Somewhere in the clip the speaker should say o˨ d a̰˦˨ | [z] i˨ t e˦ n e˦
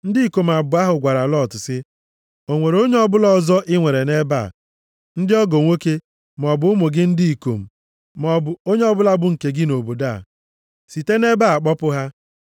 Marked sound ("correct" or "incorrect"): incorrect